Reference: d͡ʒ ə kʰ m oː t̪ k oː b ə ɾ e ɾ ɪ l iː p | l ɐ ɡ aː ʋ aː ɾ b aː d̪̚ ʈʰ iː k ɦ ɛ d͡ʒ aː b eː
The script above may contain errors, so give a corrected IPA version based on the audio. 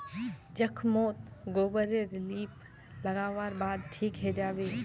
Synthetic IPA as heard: d͡ʒ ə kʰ m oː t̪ ɡ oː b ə ɾ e ɾ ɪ l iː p | l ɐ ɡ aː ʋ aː ɾ b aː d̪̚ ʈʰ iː k ɦ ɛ d͡ʒ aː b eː